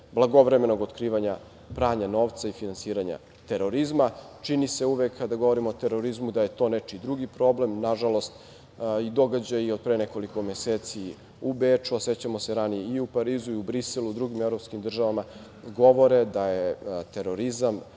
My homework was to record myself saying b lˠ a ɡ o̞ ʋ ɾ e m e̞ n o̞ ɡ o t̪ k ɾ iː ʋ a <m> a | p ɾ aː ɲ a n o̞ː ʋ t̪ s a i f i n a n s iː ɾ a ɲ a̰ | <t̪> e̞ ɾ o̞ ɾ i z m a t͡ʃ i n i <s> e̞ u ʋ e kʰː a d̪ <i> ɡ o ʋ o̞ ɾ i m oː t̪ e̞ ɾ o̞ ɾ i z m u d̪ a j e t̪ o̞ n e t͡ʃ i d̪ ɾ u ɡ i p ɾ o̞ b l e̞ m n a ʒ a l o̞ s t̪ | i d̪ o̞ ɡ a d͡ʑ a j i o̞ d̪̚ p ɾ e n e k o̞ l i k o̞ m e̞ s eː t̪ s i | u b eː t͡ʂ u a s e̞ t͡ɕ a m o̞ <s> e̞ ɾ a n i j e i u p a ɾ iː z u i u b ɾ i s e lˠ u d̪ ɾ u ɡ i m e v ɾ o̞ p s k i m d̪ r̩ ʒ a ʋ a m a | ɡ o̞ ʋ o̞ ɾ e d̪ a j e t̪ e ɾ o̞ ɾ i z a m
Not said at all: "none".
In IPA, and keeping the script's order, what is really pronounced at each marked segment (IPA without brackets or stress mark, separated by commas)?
ɲ, t̪, s, a, s